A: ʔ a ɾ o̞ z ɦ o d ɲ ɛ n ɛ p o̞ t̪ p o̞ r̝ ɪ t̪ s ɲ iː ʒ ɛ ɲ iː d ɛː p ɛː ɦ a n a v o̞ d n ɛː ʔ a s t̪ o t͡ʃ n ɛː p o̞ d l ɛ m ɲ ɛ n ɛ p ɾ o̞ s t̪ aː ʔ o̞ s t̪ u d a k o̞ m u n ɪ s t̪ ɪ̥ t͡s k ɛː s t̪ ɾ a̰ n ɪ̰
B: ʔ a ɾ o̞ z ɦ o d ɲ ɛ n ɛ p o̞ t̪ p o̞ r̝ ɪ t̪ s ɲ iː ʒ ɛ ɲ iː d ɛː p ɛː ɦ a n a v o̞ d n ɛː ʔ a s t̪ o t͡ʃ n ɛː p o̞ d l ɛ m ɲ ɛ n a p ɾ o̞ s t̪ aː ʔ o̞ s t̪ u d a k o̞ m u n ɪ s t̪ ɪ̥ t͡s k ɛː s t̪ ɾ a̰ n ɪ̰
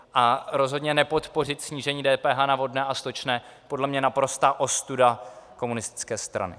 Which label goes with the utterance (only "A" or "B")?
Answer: B